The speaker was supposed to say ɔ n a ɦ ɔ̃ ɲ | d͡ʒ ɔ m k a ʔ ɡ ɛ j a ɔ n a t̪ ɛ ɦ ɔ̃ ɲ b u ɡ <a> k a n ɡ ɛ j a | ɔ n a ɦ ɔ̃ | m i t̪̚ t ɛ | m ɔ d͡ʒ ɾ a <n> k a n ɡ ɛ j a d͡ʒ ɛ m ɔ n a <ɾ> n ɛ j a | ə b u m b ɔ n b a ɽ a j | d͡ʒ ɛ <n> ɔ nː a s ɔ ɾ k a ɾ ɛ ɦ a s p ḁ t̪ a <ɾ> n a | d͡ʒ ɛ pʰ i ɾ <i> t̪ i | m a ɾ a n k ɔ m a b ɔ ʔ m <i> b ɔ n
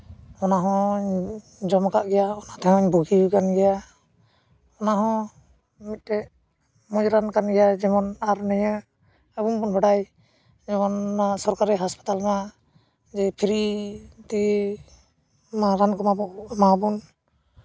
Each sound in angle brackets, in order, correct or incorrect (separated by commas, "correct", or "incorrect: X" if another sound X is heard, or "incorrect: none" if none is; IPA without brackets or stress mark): incorrect: i, correct, correct, incorrect: m, incorrect: l, correct, incorrect: a